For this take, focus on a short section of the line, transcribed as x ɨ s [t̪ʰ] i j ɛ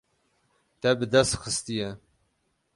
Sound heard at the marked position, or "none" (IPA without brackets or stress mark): t̪